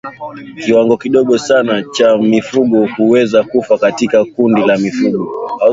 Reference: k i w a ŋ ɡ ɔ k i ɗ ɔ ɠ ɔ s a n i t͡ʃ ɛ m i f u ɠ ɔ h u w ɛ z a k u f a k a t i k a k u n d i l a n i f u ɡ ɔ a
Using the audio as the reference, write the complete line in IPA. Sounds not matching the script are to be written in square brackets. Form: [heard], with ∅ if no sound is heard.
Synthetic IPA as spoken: k i w a ŋ ɡ ɔ k i ɗ ɔ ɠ ɔ s a n [a] t͡ʃ [a] m i f u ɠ ɔ h u w ɛ z a k u f a k a t i k a k u n d i l a [m] i f u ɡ ɔ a